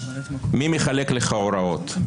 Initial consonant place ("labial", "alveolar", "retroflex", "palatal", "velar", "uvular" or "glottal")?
labial